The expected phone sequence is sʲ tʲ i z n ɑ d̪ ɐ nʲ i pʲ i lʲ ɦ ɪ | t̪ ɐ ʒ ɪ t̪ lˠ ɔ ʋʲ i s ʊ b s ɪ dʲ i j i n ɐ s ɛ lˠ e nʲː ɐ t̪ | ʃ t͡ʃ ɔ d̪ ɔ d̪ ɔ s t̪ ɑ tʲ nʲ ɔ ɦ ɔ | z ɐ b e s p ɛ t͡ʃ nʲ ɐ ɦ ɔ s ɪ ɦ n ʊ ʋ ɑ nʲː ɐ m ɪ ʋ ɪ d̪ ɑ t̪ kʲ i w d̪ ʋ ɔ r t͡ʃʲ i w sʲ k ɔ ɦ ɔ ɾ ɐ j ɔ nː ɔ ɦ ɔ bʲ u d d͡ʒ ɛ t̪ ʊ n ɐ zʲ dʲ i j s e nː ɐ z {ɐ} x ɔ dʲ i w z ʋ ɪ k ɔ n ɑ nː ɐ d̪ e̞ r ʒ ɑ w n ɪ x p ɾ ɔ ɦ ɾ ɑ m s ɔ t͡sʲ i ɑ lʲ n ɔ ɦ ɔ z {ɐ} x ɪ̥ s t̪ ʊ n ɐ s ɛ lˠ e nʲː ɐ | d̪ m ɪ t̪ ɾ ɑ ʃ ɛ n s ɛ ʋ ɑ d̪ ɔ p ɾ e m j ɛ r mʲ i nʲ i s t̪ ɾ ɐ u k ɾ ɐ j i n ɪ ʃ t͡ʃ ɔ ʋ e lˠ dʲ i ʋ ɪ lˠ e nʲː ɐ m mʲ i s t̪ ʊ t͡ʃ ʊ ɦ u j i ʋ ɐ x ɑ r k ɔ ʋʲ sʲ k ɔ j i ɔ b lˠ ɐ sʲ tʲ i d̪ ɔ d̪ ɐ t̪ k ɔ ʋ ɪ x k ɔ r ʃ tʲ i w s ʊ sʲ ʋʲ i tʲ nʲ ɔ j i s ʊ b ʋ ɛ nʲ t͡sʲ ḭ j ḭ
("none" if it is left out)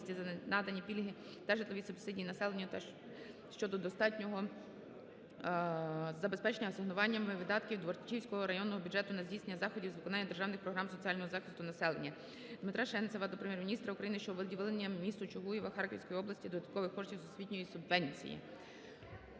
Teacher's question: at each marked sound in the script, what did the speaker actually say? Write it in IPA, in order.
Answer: ɑ, ɑ

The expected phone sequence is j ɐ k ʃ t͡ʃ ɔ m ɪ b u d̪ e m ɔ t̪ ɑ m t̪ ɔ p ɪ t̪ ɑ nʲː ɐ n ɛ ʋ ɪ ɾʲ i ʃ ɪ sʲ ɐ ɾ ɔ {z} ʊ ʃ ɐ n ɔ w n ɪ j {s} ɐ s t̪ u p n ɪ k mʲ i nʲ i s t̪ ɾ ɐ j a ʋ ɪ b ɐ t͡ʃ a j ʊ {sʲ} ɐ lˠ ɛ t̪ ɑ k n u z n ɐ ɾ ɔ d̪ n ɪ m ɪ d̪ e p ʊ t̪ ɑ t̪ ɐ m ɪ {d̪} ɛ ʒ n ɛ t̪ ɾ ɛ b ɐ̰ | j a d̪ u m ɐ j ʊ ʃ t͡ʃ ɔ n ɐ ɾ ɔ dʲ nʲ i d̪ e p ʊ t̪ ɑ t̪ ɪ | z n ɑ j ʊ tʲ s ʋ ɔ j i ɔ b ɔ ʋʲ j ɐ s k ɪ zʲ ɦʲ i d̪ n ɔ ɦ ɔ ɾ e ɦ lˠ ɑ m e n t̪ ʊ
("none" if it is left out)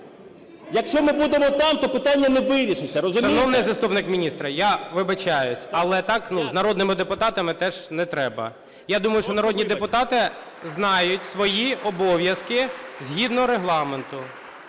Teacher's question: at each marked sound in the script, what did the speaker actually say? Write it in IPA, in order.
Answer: z, z, sʲ, t̪

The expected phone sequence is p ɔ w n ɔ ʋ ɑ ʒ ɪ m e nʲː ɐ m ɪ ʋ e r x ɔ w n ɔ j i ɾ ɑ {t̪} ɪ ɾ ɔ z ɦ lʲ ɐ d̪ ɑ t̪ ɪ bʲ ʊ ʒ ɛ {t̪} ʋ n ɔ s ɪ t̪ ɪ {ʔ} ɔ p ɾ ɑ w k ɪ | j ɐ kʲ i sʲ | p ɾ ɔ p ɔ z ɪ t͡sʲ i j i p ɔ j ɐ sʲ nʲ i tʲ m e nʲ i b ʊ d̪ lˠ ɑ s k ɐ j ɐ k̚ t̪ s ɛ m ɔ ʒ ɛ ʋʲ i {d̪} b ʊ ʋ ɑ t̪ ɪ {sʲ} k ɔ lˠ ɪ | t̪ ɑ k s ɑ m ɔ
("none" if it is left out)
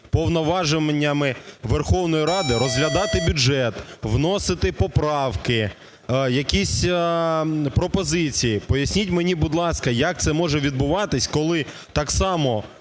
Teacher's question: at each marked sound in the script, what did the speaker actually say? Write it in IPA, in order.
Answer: d̪, t̪, p, d̪, sʲ

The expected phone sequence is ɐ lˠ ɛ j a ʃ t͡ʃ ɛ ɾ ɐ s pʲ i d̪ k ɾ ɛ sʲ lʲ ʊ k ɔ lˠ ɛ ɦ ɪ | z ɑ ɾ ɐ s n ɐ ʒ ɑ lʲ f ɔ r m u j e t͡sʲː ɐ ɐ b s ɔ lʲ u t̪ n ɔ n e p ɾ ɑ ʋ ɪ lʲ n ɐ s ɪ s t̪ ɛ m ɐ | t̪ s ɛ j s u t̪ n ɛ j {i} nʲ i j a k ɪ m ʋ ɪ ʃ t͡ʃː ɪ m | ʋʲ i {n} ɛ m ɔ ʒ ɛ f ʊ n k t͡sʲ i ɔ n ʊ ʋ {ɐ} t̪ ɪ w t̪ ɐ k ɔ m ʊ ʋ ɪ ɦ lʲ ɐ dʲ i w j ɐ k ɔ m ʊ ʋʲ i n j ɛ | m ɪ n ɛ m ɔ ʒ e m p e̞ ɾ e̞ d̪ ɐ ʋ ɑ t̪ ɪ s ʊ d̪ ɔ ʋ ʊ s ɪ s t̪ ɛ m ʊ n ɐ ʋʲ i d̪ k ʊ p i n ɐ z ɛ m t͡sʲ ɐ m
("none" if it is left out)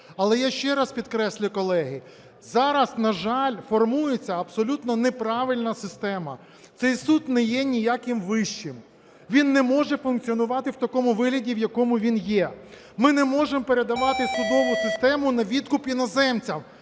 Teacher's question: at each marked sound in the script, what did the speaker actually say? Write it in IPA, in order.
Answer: ɛ, nː, ɑ

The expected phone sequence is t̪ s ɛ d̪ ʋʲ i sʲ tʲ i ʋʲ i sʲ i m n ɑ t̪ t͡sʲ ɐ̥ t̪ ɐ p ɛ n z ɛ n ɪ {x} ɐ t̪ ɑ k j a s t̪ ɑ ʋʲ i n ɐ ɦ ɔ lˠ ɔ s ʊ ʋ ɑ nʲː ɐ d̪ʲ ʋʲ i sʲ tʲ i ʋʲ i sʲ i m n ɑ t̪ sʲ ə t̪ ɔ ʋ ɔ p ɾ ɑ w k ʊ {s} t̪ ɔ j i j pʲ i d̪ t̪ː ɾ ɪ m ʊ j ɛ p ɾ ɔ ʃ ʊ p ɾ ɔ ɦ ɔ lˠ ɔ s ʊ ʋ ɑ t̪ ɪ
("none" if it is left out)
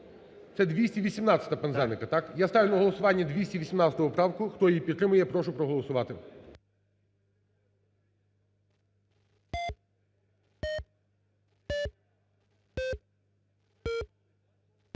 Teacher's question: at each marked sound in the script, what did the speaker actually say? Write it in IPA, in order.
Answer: k, x

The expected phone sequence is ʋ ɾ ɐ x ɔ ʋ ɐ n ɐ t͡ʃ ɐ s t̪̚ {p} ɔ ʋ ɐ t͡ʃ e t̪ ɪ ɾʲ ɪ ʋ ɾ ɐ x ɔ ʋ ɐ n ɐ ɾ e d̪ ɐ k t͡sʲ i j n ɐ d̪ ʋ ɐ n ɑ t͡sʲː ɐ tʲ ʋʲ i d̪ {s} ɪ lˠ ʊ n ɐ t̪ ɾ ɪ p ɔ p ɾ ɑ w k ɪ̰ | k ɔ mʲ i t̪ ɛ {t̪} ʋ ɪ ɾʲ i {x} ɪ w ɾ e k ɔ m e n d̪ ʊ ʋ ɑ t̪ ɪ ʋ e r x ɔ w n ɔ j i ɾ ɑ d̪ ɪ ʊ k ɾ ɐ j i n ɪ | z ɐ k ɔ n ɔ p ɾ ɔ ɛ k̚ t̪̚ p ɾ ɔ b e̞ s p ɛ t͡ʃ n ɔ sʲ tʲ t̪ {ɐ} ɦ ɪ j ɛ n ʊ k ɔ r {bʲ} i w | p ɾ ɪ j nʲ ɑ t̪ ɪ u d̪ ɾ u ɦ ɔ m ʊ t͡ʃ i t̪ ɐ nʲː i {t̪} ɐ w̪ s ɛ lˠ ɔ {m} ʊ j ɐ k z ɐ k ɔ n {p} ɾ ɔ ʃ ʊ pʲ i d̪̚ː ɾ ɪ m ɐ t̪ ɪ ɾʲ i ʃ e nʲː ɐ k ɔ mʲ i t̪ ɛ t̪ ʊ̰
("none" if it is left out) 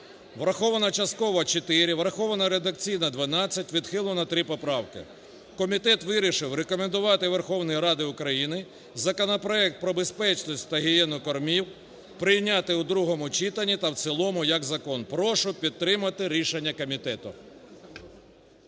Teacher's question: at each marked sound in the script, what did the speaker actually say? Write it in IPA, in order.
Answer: k, x, t̪, ʃ, ɐ, mʲ, t̪, m, p

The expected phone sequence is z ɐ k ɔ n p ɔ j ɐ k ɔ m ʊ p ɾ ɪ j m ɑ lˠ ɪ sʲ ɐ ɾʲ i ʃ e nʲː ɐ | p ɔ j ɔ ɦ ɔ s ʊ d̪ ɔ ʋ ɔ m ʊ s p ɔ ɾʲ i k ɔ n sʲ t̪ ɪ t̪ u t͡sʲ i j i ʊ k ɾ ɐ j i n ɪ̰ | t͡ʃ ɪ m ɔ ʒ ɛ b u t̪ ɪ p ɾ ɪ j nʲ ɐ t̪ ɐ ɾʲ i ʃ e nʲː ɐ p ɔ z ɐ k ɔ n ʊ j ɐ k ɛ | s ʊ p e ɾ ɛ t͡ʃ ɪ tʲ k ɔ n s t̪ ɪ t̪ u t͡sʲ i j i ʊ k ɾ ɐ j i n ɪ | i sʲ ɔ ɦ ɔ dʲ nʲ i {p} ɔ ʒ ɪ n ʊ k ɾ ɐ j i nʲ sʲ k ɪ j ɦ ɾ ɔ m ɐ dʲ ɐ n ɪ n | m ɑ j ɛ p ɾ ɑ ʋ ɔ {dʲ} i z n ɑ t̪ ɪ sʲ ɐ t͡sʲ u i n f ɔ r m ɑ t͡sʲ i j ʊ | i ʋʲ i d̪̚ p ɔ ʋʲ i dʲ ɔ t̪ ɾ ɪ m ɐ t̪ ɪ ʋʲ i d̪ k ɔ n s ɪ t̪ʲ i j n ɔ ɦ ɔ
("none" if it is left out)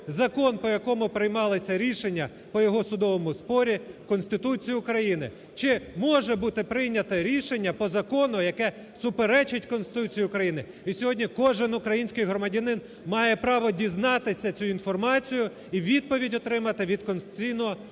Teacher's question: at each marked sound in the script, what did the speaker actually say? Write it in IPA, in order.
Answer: k, dʲ

